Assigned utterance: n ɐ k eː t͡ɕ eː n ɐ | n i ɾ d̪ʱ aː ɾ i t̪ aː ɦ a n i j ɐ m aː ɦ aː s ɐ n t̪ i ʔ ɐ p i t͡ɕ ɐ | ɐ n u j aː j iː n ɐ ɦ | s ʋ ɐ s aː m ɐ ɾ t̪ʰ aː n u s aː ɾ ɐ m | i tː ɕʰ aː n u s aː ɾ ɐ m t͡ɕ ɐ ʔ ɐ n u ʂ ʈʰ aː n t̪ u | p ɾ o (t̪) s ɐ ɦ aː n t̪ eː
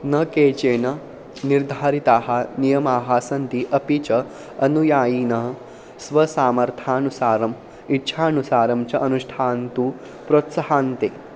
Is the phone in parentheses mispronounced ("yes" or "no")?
no